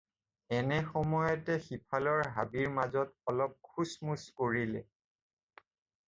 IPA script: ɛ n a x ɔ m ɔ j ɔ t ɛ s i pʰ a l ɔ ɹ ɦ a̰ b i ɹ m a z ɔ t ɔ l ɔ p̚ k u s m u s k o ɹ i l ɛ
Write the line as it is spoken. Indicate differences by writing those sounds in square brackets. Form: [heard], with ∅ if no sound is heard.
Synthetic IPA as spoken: ɛ n [ɛ] x ɔ m ɔ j ɔ t ɛ [x] i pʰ a l ɔ ɹ ɦ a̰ b i ɹ m a z ɔ t ɔ l ɔ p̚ [kʰ] u s m u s k o ɹ i l ɛ

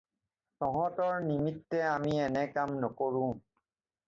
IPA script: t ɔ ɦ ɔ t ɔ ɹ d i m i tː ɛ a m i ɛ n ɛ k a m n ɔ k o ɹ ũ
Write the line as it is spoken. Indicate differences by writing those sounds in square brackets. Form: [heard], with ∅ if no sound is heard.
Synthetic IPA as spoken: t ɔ ɦ ɔ t ɔ ɹ [n] i m i tː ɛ a m i ɛ n ɛ k a m n ɔ k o ɹ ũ

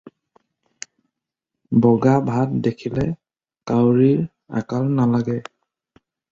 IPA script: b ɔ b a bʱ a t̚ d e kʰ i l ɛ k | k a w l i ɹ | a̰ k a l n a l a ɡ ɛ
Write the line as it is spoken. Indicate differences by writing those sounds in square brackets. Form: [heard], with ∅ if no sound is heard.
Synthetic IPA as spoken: b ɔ [ɡ] a bʱ a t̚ d e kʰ i l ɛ [∅] | k a w [ɹ] i ɹ | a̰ k a l n a l a ɡ ɛ

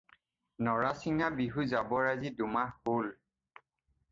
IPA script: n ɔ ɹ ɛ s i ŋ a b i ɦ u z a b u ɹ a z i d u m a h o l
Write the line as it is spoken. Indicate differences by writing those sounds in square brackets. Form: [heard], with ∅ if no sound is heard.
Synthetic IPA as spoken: n ɔ ɹ [a] s i ŋ a b i ɦ u z a b [ɔ] ɹ a z i d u m a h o l

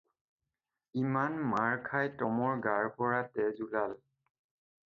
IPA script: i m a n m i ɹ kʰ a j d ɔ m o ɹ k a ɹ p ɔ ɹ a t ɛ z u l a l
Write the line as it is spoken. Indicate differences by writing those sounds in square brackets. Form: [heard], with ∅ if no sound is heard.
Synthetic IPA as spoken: i m a n m [a] ɹ kʰ a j [t] ɔ m [ɔ] ɹ [ɡ] a ɹ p ɔ ɹ a t ɛ z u l a l

